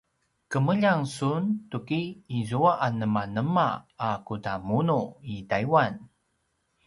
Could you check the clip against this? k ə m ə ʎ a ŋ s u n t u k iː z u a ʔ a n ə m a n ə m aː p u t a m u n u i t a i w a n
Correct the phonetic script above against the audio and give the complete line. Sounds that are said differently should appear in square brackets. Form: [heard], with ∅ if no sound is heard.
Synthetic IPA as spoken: k ə m ə ʎ a ŋ s u n t u k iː z u a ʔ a n ə m a n ə m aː [k] u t a m u n u i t a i w a n